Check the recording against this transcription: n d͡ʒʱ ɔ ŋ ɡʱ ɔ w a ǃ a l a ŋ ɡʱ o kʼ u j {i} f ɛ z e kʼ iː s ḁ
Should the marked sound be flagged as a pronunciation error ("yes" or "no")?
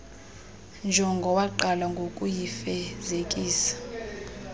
no